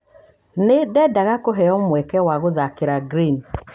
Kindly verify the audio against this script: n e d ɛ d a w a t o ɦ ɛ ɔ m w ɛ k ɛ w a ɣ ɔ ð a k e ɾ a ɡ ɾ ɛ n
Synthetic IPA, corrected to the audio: n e d ɛ d a ɣ a k o ɦ ɛ ɔ m w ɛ k ɛ w a ɣ o ð a k e ɾ a ɡ ɾ i n